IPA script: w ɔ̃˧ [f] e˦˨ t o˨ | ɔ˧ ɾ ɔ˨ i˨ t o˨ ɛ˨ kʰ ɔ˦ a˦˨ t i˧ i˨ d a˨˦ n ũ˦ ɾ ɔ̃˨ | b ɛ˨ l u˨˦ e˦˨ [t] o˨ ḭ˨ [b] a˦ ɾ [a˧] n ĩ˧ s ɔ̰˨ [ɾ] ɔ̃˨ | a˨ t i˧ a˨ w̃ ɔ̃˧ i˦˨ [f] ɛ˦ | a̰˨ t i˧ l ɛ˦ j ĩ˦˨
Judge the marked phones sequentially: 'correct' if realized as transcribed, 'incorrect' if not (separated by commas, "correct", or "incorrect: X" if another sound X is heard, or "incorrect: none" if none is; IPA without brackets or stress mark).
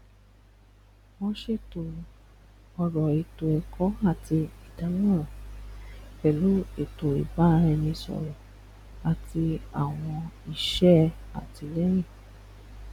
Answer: incorrect: ʃ, correct, correct, incorrect: ɛ˧, correct, incorrect: ʃ